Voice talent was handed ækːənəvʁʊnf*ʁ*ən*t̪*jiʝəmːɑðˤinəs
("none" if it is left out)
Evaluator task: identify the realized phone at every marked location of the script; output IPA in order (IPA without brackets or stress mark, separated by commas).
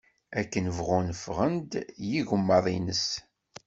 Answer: ʁ, d̪